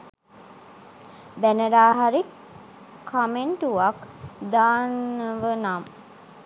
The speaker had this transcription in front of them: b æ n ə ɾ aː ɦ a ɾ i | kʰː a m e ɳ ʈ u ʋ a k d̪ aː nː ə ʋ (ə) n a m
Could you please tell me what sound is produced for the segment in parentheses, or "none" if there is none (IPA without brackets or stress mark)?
ə